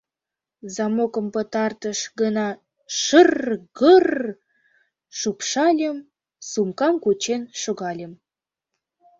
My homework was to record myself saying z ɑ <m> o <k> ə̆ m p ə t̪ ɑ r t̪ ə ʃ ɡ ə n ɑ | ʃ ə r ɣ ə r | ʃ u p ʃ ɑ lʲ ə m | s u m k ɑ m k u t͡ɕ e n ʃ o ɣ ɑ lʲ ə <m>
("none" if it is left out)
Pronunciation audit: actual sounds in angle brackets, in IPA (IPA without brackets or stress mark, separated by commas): m, k, m